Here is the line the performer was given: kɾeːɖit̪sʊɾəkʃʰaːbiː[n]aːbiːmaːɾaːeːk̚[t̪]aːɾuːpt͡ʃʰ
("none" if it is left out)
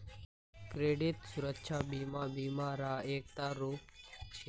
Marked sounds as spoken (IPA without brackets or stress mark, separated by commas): m, t̪